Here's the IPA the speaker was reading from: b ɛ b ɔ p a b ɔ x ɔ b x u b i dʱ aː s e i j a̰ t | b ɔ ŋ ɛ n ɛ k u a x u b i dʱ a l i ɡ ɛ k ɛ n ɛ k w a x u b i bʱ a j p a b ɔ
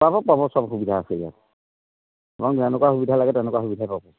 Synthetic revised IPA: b a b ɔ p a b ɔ s ɔ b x u b i dʱ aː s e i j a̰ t | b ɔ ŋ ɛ n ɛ k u a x u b i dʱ a l a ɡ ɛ t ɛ n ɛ k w a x u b i dʱ a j p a b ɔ